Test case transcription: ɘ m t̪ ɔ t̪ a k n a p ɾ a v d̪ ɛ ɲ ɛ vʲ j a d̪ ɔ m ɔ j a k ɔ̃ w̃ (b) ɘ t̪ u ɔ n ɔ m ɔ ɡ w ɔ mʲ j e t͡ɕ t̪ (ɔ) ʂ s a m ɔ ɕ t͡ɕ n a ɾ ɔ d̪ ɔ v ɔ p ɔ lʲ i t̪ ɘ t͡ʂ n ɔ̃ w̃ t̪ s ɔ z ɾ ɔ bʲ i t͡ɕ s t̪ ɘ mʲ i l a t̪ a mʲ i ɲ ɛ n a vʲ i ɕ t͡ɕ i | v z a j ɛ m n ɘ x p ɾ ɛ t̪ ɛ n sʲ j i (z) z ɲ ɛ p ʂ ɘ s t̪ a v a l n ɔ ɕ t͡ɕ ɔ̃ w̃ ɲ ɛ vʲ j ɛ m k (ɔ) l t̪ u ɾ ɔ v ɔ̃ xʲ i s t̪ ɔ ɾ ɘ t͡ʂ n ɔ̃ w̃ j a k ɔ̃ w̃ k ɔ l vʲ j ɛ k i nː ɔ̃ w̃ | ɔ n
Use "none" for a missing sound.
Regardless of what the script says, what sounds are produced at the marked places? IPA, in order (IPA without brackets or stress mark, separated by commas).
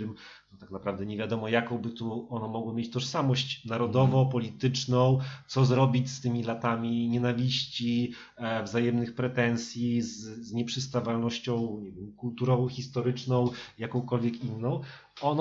b, ɔ, z, u